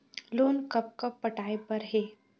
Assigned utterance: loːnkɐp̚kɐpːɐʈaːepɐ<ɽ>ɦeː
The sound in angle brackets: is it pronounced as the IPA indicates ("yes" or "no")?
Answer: no